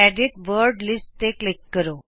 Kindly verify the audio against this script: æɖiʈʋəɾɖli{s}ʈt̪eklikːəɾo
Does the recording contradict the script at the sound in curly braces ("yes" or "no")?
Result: no